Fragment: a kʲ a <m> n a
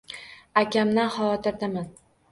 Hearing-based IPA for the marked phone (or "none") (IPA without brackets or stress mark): m